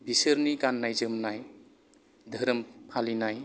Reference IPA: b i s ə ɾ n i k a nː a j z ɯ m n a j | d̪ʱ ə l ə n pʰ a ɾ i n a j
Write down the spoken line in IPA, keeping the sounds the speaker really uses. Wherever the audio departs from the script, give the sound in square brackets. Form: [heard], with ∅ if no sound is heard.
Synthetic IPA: b i s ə ɾ n i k a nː a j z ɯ m n a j | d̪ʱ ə [ɾ] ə [m] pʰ a [l] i n a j